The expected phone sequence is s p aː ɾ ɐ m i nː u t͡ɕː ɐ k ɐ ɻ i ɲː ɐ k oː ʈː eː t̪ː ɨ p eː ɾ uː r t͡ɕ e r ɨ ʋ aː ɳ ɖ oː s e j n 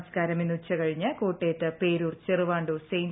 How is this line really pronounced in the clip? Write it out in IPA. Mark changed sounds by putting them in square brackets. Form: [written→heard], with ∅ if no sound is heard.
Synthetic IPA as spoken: s [p→k] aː ɾ ɐ m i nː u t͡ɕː ɐ k ɐ ɻ i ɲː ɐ k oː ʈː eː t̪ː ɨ p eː ɾ uː r t͡ɕ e r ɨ ʋ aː ɳ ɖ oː s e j n